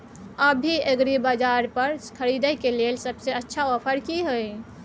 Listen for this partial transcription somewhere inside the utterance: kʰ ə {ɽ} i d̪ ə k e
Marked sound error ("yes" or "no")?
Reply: yes